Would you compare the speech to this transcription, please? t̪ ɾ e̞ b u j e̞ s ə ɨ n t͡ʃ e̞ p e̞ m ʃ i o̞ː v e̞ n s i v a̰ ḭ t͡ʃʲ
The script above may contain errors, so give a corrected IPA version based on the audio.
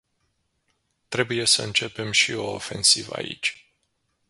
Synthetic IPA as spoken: t̪ ɾ e̞ b u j e̞ s ə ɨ n t͡ʃ e̞ p e̞ m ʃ i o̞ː f e̞ n s i v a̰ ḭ t͡ʃʲ